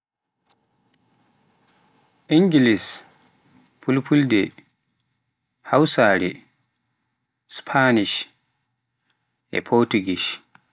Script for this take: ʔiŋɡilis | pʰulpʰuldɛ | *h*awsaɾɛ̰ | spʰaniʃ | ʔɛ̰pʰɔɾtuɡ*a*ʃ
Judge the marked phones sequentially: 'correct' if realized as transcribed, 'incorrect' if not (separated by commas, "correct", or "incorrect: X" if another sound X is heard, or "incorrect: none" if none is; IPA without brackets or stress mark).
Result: correct, incorrect: i